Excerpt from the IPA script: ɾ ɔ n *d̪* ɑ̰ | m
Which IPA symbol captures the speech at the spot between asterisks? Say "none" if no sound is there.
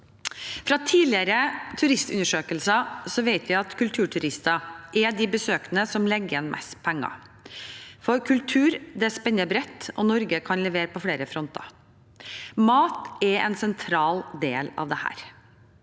t̪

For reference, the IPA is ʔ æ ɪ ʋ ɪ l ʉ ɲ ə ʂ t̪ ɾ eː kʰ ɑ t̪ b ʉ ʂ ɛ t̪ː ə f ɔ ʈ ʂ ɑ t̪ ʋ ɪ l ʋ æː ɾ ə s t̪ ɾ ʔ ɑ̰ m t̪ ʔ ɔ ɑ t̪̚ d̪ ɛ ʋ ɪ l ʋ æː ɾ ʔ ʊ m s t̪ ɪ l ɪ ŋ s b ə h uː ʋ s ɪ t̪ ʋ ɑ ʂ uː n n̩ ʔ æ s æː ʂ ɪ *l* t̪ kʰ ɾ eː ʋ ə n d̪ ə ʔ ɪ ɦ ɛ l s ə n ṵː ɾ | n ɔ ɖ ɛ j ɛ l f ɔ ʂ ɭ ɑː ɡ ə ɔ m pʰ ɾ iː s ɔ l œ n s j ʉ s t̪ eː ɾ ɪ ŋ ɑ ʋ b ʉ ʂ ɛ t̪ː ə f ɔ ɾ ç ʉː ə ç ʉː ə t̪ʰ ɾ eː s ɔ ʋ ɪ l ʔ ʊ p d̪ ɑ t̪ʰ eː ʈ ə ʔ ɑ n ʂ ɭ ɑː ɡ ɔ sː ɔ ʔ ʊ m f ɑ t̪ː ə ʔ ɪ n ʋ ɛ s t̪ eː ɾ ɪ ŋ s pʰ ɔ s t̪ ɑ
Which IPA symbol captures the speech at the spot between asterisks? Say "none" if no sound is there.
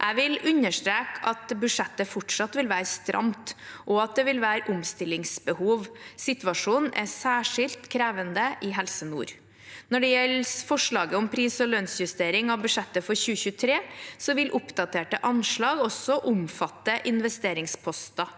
l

